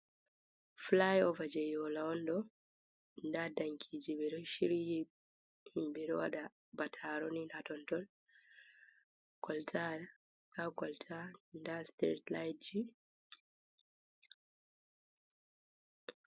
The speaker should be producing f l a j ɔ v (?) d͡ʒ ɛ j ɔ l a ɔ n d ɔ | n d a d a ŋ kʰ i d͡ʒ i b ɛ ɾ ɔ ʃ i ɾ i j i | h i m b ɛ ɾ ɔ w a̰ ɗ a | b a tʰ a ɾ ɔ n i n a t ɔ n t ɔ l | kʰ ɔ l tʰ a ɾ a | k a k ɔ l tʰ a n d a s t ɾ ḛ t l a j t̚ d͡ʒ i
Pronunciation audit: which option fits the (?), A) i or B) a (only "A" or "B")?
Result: B